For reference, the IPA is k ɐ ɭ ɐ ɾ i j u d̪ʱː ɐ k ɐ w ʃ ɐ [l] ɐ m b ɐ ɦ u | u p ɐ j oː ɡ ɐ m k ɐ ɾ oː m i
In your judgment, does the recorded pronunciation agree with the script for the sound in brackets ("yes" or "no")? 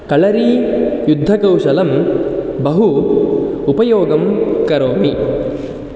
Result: yes